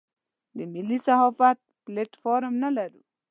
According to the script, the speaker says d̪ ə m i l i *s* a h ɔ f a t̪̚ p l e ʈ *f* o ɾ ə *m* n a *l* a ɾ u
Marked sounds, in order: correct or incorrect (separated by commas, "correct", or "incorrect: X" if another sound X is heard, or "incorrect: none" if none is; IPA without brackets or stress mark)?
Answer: correct, correct, correct, correct